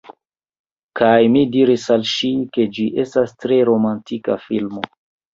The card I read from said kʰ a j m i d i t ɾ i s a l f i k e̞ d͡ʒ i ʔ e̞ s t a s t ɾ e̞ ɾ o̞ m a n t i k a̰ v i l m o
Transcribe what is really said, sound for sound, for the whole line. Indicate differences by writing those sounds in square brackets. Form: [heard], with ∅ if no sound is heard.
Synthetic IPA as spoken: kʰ a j m i d i [∅] ɾ i s a l [ʃ] i k e̞ d͡ʒ i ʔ e̞ s t a s t ɾ e̞ ɾ o̞ m a n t i k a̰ [f] i l m o